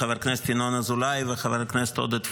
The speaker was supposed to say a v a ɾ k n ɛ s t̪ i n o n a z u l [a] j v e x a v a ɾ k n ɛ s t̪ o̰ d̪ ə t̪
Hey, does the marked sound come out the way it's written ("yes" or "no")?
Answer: yes